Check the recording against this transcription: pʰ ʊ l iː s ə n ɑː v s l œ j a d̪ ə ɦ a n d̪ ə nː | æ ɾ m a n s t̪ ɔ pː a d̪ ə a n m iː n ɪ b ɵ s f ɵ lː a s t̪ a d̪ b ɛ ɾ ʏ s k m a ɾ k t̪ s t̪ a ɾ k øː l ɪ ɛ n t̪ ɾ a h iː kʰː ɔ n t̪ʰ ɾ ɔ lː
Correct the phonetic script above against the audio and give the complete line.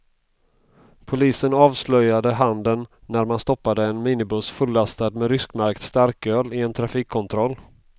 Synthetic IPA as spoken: pʰ ʊ l iː s ə n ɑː v s l œ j a d̪ ə ɦ a n d̪ ə nː | æ ɾ m a n s t̪ ɔ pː a d̪ ə ɛ n m iː n ɪ b ɵ s f ɵ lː a s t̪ a d̪ m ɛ ɾ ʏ s k m a ɾ k t̪ s t̪ a ɾ k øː l ɪ ɛ n t̪ʰ ɾ a f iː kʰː ɔ n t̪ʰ ɾ ɔ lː